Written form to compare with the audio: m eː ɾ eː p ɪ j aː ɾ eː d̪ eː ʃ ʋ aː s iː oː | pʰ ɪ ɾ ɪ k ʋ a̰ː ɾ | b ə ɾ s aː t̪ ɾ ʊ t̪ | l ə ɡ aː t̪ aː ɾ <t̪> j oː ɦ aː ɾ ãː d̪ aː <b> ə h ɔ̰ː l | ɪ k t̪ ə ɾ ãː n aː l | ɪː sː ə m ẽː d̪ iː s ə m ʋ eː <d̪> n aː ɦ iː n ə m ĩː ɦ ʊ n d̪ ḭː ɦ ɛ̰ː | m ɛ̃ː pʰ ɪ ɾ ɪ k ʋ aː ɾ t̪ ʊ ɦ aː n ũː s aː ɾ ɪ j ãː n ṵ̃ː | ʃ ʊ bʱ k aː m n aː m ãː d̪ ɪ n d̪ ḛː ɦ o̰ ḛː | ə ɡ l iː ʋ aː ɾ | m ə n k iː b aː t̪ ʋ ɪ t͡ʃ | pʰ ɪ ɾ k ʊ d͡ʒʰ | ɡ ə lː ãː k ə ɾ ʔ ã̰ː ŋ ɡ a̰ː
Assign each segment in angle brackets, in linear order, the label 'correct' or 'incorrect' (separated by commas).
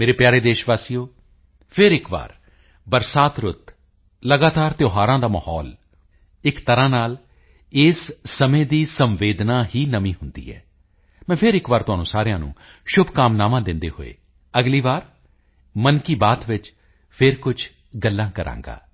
correct, incorrect, correct